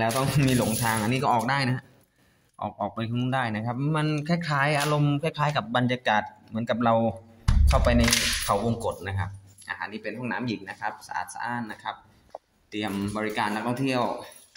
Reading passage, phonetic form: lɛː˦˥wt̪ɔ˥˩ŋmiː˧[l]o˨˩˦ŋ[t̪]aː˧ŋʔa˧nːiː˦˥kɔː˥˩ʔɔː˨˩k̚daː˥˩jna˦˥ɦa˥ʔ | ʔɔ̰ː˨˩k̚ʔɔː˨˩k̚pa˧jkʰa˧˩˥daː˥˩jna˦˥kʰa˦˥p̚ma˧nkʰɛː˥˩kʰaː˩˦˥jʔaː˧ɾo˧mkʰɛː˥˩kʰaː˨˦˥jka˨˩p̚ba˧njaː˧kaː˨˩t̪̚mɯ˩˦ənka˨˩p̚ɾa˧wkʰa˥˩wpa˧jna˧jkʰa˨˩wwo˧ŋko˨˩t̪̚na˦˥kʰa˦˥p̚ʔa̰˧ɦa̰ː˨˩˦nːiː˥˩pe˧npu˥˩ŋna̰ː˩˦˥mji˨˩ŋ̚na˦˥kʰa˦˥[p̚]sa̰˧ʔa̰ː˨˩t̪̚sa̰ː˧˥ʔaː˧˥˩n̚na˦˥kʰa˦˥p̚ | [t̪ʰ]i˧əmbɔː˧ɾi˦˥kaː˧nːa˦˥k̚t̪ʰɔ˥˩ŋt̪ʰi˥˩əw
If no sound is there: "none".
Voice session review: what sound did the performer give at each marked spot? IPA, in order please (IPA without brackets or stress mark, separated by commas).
l, t̪ʰ, p̚, t̪